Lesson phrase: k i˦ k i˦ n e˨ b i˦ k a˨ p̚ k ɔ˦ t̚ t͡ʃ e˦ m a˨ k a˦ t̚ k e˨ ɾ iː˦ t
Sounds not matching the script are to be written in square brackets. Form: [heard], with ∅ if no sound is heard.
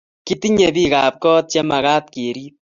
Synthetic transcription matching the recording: k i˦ [t] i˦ [ɲ] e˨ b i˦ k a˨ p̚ k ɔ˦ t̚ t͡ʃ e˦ m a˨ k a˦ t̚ k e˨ ɾ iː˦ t